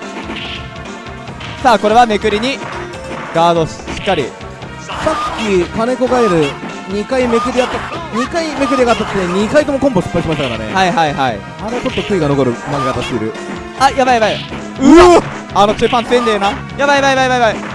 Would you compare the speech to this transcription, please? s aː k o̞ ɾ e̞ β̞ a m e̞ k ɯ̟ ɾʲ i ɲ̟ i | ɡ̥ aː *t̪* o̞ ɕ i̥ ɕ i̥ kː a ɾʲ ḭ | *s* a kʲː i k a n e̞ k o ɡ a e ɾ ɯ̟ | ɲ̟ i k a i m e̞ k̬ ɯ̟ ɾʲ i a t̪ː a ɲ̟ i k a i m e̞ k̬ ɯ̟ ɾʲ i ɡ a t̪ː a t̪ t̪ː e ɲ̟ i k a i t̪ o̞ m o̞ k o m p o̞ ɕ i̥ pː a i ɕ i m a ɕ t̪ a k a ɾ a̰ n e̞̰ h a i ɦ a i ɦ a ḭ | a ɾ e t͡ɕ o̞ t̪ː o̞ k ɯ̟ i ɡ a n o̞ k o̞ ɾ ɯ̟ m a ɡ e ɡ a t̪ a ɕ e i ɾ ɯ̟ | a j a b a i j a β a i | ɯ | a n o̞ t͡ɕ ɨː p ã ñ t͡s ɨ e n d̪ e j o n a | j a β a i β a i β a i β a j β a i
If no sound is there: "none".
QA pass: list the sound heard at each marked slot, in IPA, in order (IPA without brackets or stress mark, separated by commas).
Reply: d̪, s